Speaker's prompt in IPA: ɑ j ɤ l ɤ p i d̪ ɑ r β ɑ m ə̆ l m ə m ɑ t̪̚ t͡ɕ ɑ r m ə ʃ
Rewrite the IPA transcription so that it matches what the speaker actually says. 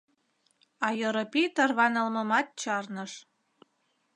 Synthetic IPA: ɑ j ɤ ɾ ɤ p i t̪ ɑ r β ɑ n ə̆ l m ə m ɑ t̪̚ t͡ɕ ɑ r n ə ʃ